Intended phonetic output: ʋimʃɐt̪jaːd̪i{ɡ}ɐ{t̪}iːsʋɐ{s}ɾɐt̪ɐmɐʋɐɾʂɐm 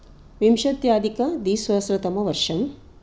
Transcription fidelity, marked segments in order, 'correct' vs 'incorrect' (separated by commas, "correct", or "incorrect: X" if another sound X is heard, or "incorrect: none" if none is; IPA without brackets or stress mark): incorrect: k, incorrect: d̪, correct